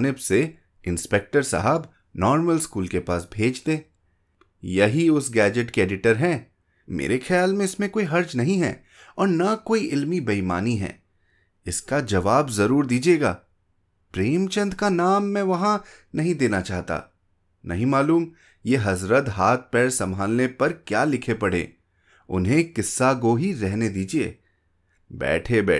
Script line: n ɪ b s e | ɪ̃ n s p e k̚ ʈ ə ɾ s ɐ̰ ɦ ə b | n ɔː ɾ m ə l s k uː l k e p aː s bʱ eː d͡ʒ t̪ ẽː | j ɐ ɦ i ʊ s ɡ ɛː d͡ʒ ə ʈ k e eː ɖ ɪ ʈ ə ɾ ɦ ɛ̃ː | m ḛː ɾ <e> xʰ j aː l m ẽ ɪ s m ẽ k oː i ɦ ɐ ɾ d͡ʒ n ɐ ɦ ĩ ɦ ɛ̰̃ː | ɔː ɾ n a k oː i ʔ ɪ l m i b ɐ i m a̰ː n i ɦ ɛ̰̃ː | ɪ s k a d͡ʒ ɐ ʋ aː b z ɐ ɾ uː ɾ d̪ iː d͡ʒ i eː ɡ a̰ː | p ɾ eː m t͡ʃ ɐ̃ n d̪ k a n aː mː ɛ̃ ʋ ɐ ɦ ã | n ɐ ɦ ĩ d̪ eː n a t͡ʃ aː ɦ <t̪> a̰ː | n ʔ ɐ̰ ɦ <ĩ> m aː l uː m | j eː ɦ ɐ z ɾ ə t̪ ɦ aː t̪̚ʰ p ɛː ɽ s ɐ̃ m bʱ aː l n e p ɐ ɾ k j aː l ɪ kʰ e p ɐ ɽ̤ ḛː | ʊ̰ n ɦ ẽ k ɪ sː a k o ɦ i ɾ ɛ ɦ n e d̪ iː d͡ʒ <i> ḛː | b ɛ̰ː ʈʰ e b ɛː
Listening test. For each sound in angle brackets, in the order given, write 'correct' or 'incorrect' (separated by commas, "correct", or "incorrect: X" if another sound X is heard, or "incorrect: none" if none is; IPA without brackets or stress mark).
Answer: correct, correct, correct, correct